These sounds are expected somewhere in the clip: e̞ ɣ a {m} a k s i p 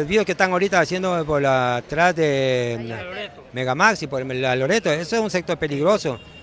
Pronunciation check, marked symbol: correct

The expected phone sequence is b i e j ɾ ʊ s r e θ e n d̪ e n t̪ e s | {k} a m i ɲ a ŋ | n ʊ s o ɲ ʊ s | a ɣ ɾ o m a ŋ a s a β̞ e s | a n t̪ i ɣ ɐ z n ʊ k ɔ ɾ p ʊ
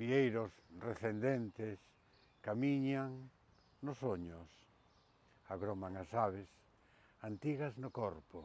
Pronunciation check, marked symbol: correct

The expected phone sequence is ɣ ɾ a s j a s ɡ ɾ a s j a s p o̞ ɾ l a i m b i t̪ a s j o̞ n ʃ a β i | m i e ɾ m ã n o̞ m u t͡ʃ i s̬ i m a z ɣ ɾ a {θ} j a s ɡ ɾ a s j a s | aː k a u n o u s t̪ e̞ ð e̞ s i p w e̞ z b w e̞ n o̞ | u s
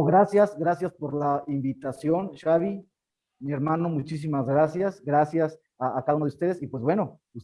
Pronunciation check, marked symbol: incorrect: s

